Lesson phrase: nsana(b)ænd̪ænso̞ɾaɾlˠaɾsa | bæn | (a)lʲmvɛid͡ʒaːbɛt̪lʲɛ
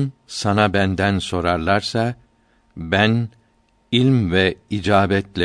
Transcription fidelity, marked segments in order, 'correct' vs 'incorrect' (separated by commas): correct, incorrect